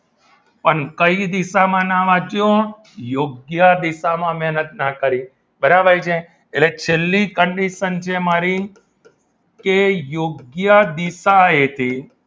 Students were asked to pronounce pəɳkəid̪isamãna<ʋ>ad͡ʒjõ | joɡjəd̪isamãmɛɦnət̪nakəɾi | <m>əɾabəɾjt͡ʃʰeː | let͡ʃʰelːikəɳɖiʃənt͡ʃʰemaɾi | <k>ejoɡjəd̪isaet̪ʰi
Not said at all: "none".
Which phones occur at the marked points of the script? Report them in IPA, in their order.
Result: ʋ, b, k

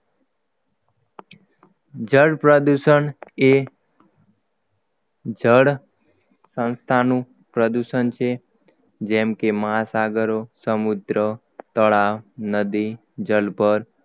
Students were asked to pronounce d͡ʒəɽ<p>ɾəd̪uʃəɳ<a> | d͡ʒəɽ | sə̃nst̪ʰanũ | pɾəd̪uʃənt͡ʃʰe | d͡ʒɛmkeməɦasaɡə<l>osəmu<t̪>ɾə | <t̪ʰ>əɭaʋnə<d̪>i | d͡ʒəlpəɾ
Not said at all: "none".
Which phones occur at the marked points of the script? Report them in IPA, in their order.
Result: p, e, ɾ, d̪, t̪, d̪

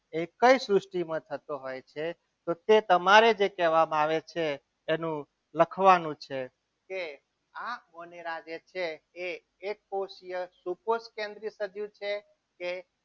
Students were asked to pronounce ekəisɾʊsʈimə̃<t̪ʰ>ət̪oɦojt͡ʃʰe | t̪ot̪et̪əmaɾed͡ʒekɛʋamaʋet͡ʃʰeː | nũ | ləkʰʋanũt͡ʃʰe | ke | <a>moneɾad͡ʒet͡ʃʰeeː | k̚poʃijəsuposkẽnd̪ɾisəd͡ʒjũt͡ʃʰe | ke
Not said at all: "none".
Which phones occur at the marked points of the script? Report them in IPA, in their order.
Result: t̪ʰ, a

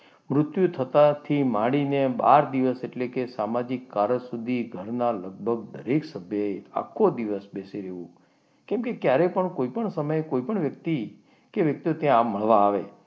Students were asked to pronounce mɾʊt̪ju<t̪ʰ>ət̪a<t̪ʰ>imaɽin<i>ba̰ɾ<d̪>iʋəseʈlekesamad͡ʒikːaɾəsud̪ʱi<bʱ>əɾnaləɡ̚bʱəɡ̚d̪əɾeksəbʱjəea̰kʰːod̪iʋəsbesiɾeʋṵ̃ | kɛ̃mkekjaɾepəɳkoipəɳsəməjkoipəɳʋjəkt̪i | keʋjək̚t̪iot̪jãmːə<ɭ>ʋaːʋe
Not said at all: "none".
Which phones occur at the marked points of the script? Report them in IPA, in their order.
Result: t̪ʰ, t̪ʰ, e, d̪, ɡʱ, ɭ

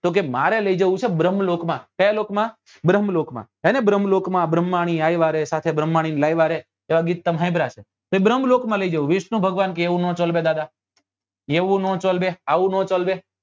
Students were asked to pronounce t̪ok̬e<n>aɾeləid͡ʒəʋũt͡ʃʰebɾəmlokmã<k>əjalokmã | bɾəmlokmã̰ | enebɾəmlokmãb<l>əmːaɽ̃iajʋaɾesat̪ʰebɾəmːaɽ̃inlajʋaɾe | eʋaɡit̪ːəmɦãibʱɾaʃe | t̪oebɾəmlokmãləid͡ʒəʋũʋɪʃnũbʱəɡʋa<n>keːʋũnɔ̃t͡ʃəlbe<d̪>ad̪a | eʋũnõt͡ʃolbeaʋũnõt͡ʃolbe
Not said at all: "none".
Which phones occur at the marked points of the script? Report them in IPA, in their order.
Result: m, k, ɾ, n, d̪

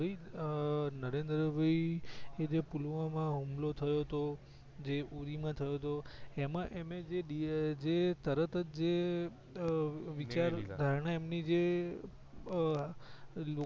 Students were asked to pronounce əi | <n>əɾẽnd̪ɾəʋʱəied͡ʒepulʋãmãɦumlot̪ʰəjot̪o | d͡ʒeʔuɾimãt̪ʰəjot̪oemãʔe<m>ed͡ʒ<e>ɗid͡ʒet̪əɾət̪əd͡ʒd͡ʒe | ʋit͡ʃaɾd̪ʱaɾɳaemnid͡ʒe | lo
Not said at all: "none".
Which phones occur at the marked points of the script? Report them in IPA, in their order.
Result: n, m, e

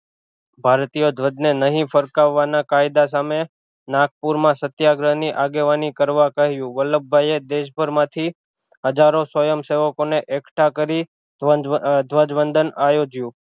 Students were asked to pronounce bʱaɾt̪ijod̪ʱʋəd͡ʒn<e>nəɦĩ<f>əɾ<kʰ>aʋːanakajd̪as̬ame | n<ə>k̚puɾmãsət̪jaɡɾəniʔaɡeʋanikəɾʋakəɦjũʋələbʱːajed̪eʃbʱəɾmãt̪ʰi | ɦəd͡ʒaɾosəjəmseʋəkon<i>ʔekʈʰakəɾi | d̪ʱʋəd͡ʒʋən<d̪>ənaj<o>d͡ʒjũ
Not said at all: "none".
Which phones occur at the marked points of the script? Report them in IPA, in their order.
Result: e, f, k, a, e, d̪, o

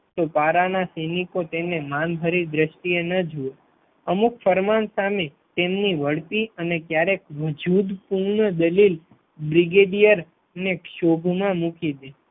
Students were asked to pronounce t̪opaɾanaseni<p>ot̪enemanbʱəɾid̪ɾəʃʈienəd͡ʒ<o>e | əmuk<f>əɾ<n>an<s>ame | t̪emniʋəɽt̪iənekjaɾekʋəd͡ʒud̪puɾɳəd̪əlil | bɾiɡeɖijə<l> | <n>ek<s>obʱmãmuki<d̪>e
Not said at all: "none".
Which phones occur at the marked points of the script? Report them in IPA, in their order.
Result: k, u, f, m, s, ɾ, n, ʃ, d̪

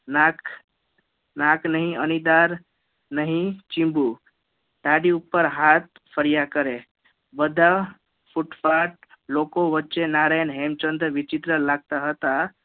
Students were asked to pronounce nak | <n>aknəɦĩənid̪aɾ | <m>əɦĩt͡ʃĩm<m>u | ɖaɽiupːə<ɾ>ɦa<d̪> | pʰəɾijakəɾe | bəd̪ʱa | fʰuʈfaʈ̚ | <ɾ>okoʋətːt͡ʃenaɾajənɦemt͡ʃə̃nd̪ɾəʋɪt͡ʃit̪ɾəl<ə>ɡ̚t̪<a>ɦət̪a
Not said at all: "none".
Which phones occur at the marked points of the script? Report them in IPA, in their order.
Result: n, n, b, ɾ, t̪, l, a, a

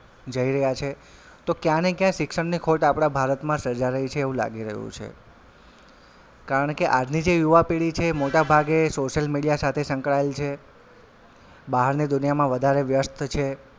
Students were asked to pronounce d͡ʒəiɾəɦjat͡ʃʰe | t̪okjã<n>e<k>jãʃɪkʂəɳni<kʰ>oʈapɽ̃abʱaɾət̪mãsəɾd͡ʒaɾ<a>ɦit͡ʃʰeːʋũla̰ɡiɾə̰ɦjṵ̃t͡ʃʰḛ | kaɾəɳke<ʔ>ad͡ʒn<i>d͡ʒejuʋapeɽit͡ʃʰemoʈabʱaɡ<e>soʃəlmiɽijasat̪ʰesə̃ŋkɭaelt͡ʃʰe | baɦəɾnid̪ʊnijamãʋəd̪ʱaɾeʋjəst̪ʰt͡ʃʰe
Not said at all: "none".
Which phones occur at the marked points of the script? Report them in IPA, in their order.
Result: n, k, kʰ, ə, ʔ, i, e

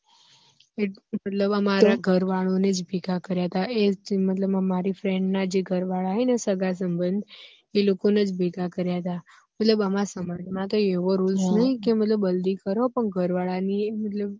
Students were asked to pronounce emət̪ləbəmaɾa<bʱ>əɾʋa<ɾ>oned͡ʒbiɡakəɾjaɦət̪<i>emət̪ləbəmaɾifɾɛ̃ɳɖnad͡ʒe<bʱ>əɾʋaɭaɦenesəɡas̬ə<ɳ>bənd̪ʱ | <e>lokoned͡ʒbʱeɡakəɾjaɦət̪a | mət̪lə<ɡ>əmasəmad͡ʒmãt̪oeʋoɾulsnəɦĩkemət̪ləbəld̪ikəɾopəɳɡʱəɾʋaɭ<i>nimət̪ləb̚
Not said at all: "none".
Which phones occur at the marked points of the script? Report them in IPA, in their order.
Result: ɡʱ, ɭ, a, ɡʱ, m, e, b, a

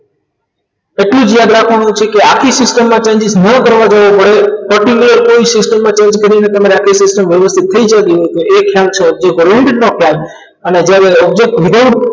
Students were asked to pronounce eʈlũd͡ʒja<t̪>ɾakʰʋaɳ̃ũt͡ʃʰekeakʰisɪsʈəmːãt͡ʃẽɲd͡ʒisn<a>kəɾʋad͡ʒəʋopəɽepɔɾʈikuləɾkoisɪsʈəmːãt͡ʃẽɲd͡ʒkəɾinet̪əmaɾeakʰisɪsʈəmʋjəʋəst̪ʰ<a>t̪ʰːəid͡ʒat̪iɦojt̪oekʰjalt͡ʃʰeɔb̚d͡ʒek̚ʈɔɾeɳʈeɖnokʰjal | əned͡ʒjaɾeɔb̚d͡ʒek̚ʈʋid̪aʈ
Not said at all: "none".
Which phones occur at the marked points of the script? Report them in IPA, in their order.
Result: d̪, ə, i

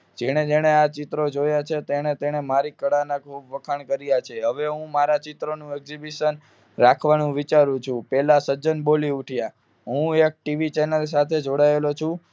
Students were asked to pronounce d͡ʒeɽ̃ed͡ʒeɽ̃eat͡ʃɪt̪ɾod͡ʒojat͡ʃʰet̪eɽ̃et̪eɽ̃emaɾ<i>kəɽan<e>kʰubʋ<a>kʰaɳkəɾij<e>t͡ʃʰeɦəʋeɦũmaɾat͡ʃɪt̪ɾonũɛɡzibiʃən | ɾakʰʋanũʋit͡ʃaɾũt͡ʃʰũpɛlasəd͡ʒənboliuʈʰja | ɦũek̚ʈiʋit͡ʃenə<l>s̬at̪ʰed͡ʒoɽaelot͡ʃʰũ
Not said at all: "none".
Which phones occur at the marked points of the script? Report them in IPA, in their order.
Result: i, a, ə, a, l

